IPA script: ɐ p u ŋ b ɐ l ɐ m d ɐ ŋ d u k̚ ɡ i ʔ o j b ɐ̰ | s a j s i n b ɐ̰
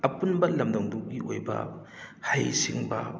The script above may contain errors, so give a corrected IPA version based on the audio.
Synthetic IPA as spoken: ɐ p u n b ɐ l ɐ m d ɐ ŋ d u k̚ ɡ i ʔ o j b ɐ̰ | h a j s i ŋ b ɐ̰